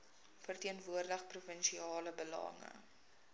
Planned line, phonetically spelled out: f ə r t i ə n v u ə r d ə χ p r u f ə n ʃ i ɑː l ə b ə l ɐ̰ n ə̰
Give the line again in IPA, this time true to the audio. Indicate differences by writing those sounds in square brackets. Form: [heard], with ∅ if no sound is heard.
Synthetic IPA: f ə r t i ə n v u ə r d ə χ p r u f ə n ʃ i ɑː l ə b ə l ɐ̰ [ŋ] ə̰

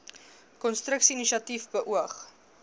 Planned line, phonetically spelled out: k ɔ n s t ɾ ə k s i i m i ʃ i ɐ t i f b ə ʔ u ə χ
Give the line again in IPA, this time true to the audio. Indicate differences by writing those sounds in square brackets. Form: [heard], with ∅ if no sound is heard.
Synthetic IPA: k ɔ n s t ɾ ə k s i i [n] i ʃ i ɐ t i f b ə ʔ u ə χ

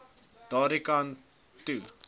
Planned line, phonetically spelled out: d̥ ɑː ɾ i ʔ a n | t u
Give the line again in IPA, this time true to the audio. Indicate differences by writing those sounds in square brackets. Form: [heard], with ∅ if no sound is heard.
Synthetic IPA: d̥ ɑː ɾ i [k] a n | t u

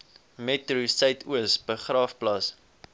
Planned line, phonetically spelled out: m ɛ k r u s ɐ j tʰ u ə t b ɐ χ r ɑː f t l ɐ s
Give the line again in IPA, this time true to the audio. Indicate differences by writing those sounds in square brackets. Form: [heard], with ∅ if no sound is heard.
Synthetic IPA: m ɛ [t] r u s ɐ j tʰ u ə [s] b [ə] χ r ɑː f [p] l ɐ s

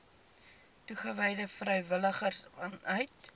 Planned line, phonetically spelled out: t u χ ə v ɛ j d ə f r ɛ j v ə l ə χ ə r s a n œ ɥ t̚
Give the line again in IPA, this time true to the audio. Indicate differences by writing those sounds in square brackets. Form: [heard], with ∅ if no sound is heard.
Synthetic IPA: t u χ ə v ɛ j d ə f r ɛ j v ə l ə χ ə r s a n œ ɥ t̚

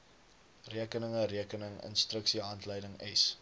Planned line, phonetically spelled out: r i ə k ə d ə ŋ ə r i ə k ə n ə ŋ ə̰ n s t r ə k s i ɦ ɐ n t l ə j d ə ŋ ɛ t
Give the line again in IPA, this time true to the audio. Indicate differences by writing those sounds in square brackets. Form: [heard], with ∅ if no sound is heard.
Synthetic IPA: r i ə k ə [n] ə ŋ ə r i ə k ə n ə ŋ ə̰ n s t r ə k s i ɦ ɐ n t l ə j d ə ŋ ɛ [s]

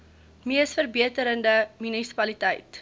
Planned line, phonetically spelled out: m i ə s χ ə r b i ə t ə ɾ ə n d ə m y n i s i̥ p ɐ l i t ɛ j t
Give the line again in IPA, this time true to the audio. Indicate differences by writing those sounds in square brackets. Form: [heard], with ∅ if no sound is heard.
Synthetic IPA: m i ə s [f] ə r b i ə t ə ɾ ə n d ə m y n i s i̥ p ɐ l i t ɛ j t

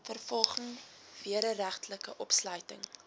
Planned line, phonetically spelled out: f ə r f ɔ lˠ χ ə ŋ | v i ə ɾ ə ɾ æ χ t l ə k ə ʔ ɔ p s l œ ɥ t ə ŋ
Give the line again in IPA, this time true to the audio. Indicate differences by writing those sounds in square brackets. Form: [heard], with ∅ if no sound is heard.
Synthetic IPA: f ə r f ɔ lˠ χ ə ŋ | v i ə ɾ ə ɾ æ χ t l ə k ə ʔ ɔ p s l œ ɥ t ə ŋ

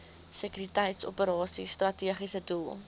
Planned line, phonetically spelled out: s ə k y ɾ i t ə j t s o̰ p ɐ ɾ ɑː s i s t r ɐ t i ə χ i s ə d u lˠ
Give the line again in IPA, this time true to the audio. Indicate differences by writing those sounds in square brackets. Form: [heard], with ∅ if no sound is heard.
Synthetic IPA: s ə k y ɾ i t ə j t s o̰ p [ə] ɾ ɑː s i s t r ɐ t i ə χ i s ə d u lˠ

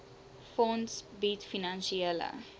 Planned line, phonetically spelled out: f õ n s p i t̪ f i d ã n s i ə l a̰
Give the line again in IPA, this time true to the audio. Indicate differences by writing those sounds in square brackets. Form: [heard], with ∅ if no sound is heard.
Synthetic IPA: f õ n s [b] i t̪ f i [n] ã n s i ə l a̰

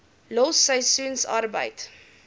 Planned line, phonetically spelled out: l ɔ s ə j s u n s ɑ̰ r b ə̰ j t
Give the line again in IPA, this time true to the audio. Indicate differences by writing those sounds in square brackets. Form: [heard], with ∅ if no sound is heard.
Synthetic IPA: l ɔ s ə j s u n s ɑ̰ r b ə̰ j t

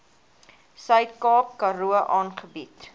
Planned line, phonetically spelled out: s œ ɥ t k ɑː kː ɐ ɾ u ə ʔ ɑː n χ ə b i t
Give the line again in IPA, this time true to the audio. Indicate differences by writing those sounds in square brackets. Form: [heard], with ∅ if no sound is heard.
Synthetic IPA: s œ ɥ t k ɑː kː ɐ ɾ u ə ʔ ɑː n χ ə b i t

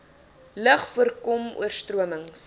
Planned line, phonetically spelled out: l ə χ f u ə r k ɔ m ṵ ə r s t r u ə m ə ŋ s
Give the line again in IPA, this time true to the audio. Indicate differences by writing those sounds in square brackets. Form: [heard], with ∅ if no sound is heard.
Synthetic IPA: l ə χ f u ə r k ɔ m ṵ ə r s t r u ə m ə ŋ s

